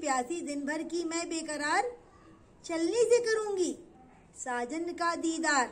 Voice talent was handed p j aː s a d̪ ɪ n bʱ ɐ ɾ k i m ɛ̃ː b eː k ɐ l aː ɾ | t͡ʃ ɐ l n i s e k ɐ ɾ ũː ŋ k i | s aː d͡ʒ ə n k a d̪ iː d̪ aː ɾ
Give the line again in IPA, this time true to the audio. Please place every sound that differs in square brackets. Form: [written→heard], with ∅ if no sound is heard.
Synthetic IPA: p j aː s [a→i] d̪ ɪ n bʱ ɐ ɾ k i m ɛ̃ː b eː k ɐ [l→ɾ] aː ɾ | t͡ʃ ɐ l n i s e k ɐ ɾ ũː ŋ [k→ɡ] i | s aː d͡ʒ ə n k a d̪ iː d̪ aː ɾ